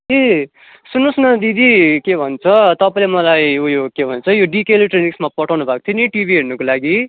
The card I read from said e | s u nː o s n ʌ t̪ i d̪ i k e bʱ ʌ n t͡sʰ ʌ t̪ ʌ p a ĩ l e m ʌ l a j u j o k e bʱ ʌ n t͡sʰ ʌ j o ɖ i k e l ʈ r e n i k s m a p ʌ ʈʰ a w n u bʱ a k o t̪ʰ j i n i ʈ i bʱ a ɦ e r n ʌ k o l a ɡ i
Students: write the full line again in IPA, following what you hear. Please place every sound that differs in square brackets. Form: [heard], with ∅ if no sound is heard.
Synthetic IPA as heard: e | s u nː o s n ʌ [d̪] i d̪ i k e bʱ ʌ n t͡sʰ ʌ t̪ ʌ p a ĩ l e m ʌ l a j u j o k e bʱ ʌ n t͡sʰ ʌ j o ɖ i k e l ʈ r e n i k s m a p ʌ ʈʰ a w n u bʱ a k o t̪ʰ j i n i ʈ i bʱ [i] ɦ e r n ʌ k o l a ɡ i

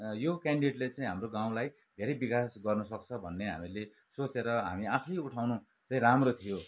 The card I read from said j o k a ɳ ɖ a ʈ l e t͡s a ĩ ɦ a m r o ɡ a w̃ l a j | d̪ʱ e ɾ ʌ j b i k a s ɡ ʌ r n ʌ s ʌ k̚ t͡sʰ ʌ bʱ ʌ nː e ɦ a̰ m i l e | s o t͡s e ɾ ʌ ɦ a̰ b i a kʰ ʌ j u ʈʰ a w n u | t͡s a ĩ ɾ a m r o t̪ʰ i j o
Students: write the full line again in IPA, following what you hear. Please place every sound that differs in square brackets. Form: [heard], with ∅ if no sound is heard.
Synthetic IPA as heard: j o k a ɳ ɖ [i] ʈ l e t͡s a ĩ ɦ a m r o ɡ a w̃ l a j | d̪ʱ e ɾ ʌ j b i k a s ɡ ʌ r n ʌ s ʌ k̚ t͡sʰ ʌ bʱ ʌ nː e ɦ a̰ m i l e | s o t͡s e ɾ ʌ ɦ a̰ [m] i a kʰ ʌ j u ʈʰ a w n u | t͡s a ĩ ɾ a m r o t̪ʰ i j o

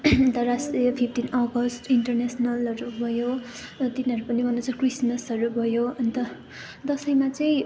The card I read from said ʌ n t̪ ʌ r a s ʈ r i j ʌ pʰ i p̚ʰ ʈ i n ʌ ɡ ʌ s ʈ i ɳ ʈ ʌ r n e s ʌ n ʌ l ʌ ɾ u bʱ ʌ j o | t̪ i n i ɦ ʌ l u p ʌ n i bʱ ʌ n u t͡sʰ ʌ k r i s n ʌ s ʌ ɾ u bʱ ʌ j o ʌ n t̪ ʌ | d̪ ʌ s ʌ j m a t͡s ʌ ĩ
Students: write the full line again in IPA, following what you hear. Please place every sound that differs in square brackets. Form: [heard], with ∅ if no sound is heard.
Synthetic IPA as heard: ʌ n t̪ ʌ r a s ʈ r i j ʌ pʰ i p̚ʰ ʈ i n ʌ ɡ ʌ s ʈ i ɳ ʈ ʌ r n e s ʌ n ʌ l ʌ ɾ u bʱ ʌ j o | t̪ i n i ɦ ʌ [ɾ] u p ʌ n i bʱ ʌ n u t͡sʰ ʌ k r i s [m] ʌ s ʌ ɾ u bʱ ʌ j o ʌ n t̪ ʌ | d̪ ʌ s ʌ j m a t͡s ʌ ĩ

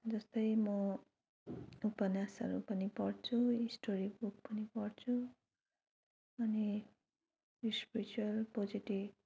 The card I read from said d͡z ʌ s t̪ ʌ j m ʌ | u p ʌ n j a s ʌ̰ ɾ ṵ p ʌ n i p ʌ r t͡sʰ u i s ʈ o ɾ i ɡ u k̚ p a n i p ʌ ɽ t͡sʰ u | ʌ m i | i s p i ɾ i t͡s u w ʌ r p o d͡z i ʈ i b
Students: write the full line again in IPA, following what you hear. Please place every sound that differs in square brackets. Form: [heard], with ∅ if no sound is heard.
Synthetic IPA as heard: d͡z ʌ s t̪ ʌ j m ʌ | u p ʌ n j a s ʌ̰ ɾ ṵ p ʌ n i p ʌ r t͡sʰ u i s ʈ o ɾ i [b] u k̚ p [ʌ] n i p ʌ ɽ t͡sʰ u | ʌ [n] i | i s p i ɾ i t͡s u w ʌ [l] p o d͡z i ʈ i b

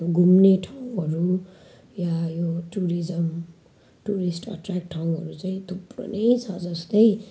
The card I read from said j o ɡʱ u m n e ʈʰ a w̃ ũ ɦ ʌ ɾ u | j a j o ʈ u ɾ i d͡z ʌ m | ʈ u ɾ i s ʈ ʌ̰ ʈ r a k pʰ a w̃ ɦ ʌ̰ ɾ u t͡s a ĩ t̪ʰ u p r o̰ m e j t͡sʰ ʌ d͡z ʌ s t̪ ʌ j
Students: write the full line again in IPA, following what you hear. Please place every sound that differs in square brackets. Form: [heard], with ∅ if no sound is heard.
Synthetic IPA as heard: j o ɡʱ u m n e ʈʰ a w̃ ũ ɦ ʌ ɾ u | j a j o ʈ u ɾ i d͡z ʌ m | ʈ u ɾ i s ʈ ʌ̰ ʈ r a k [ʈʰ] a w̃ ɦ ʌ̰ ɾ u t͡s a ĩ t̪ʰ u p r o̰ [n] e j t͡sʰ ʌ d͡z ʌ s t̪ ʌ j

